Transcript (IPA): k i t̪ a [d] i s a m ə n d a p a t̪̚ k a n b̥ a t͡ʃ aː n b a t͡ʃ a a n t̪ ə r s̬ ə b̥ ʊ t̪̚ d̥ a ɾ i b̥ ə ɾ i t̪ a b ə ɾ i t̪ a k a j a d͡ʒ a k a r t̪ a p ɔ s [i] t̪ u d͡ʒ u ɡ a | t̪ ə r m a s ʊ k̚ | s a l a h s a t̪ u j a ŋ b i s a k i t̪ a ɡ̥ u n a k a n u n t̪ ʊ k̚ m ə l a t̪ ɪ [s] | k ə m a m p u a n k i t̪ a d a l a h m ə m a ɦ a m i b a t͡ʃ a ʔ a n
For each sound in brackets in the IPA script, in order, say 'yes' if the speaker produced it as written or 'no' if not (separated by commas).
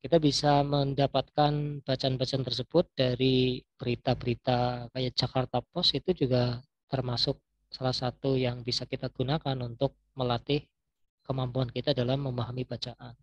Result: no, yes, no